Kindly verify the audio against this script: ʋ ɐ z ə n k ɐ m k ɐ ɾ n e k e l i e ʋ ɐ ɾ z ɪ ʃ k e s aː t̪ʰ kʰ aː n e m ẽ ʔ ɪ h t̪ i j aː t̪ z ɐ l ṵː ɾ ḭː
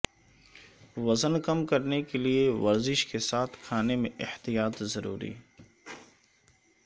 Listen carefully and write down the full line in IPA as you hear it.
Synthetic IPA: ʋ ɐ z ə n k ɐ m k ɐ ɾ n e k e l i e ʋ ɐ ɾ z ɪ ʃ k e s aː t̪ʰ kʰ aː n e m ẽ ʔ ɪ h t̪ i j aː t̪ z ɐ ɾ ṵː ɾ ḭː